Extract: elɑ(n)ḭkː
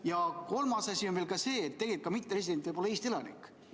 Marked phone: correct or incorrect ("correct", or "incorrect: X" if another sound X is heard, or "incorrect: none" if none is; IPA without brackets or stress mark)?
correct